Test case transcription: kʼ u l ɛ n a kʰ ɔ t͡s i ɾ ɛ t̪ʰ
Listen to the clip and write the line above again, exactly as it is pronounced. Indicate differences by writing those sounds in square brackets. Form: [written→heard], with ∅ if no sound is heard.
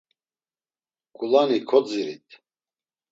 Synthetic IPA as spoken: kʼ u l [ɛ→a] n [a→i] kʰ ɔ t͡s i ɾ [ɛ→i] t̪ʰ